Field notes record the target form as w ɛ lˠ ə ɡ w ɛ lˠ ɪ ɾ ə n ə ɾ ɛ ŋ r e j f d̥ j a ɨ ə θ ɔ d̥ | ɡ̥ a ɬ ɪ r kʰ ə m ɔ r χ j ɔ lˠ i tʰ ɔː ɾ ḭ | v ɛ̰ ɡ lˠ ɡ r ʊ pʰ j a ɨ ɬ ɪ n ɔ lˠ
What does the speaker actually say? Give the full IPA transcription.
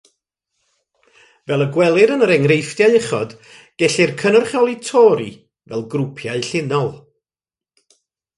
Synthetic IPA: v ɛ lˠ ə ɡ w ɛ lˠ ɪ ɾ ə n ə ɾ ɛ ŋ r e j f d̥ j a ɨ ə χ ɔ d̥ | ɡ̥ ɛ ɬ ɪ r kʰ ə n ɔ r χ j ɔ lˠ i tʰ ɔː ɾ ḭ | v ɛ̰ lˠ ɡ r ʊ pʰ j a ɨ ɬ ɪ n ɔ lˠ